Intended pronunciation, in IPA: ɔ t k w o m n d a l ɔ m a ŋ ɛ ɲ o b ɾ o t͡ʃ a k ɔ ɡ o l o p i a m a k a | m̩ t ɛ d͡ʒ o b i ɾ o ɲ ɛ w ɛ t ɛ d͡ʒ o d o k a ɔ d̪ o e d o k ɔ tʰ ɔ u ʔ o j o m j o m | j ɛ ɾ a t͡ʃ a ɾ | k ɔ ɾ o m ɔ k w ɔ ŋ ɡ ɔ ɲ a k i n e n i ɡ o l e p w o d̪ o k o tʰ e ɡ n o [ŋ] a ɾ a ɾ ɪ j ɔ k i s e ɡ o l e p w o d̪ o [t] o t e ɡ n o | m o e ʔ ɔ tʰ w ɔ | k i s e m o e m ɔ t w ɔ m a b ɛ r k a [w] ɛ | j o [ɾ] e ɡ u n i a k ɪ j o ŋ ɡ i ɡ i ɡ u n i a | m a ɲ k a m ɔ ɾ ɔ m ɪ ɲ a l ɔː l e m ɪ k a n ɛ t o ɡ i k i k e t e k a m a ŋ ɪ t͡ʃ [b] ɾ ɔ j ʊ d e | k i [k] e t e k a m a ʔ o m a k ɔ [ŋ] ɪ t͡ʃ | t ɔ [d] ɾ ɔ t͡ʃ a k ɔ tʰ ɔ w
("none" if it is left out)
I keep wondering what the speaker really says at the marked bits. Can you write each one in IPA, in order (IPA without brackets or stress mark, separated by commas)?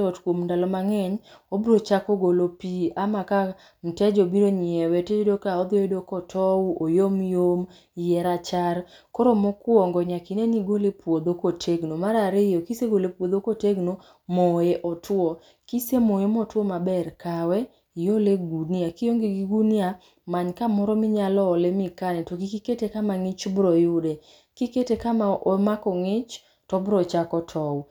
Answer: m, k, w, l, b, k, ŋ, b